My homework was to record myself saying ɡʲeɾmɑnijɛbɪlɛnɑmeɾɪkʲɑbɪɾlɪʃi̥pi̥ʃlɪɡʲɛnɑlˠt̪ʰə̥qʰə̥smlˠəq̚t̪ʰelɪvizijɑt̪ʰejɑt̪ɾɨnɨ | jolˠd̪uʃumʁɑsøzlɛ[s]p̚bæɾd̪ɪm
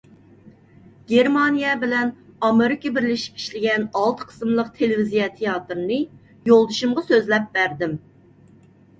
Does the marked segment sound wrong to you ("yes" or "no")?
yes